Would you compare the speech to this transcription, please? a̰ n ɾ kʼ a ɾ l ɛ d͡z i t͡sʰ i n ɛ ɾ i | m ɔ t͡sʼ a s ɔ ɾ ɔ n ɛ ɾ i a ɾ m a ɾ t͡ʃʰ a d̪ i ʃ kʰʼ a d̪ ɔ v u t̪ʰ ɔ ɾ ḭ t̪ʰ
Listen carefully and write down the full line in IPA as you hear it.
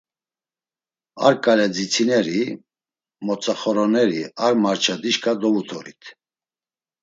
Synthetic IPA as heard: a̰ ɾ kʼ a l ɛ d͡z i t͡sʰ i n ɛ ɾ i | m ɔ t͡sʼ a χ ɔ ɾ ɔ n ɛ ɾ i a ɾ m a ɾ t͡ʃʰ a d̪ i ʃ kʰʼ a d̪ ɔ v u t̪ʰ ɔ ɾ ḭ t̪ʰ

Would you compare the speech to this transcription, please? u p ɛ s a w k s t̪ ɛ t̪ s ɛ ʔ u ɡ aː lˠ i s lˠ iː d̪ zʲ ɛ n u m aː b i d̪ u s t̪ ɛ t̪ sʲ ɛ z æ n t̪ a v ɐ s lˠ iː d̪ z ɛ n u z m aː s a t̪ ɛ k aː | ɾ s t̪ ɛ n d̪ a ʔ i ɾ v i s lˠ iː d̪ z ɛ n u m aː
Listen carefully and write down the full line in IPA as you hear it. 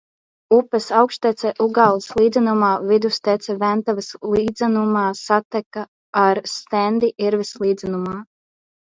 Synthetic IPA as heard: u p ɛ s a w k ʃ t̪ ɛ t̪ s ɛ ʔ u ɡ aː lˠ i s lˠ iː d̪ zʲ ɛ n u m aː v i d̪ u s t̪ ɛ t̪ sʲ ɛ v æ n t̪ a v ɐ s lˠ iː d̪ z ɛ n u m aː s a t̪ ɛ k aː | ɾ s t̪ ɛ n d̪ i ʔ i ɾ v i s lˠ iː d̪ z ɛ n u m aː

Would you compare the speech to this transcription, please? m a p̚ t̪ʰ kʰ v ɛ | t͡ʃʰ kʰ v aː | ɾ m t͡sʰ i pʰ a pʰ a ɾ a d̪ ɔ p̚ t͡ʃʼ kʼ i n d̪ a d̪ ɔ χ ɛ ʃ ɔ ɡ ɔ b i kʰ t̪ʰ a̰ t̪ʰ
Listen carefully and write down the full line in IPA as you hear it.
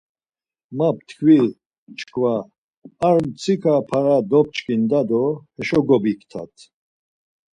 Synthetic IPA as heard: m a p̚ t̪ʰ kʰ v i | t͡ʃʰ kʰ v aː | ɾ m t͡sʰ i kʰ a pʰ a ɾ a d̪ ɔ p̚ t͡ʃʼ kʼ i n d̪ a d̪ ɔ h ɛ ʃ ɔ ɡ ɔ b i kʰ t̪ʰ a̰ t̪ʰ

